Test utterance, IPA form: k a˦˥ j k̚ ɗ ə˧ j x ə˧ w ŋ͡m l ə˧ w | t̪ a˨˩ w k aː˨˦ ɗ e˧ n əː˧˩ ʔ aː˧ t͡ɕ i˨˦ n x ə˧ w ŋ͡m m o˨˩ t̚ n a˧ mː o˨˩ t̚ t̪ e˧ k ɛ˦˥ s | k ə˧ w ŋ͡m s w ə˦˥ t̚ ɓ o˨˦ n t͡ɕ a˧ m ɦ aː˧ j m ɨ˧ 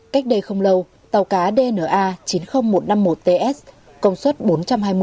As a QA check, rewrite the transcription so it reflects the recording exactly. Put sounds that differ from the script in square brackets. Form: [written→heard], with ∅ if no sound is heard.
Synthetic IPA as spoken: k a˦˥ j k̚ ɗ ə˧ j x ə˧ w ŋ͡m l ə˧ w | t̪ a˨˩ w k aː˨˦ ɗ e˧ n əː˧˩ ʔ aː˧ t͡ɕ i˨˦ n x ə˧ w ŋ͡m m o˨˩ t̚ n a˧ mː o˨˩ t̚ t̪ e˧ [k→ʔ] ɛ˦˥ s | k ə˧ w ŋ͡m s w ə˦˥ t̚ ɓ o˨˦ n t͡ɕ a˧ m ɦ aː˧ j m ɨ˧